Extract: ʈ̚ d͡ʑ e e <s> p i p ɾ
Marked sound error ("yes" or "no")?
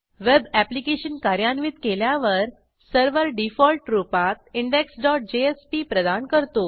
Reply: no